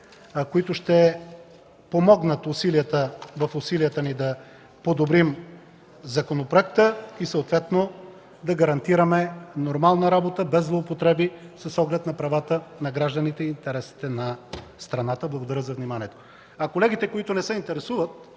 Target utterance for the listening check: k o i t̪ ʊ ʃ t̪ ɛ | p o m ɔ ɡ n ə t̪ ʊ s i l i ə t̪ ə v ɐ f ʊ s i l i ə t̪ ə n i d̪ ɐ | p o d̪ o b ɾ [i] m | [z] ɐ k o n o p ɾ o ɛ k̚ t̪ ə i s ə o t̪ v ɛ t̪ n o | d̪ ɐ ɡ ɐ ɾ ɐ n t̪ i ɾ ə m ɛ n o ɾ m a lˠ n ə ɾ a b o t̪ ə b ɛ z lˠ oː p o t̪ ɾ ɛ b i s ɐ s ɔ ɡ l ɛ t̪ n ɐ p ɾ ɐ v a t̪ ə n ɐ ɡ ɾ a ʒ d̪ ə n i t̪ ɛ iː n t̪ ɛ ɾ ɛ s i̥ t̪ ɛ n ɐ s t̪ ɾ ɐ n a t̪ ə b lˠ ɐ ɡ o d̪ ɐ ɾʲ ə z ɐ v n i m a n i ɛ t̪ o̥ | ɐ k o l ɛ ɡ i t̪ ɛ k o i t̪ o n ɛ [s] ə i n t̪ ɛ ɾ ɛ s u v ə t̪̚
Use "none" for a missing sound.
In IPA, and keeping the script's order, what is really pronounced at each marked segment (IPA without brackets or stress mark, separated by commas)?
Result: i, z, s